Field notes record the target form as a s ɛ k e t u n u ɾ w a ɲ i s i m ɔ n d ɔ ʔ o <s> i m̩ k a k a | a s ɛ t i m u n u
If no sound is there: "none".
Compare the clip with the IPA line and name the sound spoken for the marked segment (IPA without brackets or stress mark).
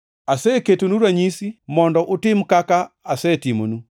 t